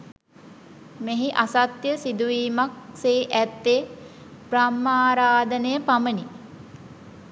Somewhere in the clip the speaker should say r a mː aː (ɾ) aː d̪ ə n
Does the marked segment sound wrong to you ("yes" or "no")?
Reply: no